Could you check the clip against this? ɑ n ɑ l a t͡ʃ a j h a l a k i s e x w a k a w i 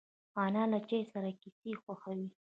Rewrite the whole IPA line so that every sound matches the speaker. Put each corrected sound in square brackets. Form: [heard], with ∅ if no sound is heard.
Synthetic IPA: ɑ n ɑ l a t͡ʃ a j [s] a [ɾ] a k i s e x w a [x] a w i